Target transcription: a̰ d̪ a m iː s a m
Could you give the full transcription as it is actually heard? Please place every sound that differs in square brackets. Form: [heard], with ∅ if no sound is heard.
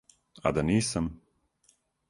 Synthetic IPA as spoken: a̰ d̪ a [n] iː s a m